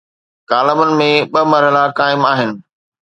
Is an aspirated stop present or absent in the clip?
absent